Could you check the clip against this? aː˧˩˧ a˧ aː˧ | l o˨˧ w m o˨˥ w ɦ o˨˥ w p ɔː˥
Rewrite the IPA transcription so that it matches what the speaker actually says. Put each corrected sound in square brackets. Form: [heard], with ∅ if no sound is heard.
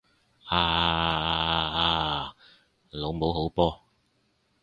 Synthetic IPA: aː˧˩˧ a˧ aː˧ | l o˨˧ w m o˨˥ w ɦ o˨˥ w p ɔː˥